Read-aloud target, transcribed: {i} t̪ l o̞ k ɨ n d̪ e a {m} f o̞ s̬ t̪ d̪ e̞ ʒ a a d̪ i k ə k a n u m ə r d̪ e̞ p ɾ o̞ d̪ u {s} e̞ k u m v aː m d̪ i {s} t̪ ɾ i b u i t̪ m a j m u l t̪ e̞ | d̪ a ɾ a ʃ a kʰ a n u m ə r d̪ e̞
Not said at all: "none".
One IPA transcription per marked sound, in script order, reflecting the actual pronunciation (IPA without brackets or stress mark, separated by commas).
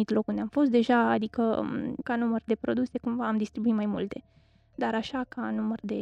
i, m, s, s